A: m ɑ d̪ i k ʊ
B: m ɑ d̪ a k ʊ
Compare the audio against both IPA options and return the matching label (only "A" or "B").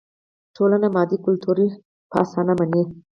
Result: A